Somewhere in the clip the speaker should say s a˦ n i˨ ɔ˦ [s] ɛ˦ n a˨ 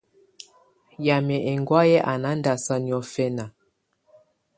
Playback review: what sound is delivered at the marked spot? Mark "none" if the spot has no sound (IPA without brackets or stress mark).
f